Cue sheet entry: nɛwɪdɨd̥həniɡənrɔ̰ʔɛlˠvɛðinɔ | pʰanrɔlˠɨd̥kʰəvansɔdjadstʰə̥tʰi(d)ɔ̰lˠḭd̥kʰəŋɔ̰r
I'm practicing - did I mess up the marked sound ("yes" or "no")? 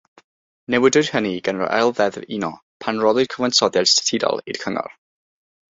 no